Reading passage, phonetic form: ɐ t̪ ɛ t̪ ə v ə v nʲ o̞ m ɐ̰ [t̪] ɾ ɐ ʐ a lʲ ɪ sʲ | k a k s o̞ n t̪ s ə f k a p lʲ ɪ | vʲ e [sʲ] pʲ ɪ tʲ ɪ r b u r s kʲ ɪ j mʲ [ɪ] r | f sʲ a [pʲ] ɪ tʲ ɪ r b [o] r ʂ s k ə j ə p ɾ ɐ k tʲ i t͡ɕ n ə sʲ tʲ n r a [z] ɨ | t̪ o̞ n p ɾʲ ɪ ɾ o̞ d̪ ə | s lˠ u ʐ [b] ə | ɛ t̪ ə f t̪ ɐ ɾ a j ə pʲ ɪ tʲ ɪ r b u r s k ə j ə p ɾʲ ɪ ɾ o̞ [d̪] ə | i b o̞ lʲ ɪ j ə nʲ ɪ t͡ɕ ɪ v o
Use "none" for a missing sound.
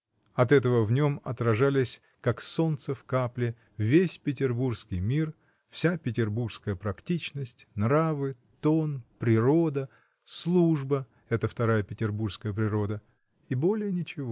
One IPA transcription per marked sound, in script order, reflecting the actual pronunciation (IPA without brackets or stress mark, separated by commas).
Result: t̪, sʲ, i, pʲ, u, v, b, d̪